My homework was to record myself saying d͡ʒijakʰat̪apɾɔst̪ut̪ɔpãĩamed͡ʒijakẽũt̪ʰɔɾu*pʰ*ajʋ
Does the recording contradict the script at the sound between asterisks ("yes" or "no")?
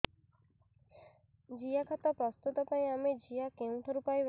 yes